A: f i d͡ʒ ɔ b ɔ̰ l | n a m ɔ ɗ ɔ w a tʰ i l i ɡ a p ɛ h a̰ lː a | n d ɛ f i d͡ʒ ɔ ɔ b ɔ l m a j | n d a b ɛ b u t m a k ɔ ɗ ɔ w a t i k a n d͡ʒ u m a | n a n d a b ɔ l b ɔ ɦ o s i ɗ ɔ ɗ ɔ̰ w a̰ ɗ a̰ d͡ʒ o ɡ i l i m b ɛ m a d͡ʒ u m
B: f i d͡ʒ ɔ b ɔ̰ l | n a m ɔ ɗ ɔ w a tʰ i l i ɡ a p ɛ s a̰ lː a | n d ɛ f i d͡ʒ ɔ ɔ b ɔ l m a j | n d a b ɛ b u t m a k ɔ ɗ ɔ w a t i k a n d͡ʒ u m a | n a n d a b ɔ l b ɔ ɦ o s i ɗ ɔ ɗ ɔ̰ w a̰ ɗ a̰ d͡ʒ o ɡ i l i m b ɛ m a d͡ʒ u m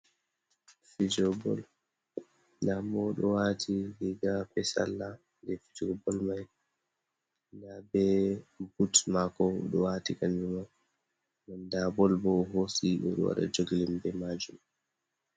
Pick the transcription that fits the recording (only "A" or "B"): B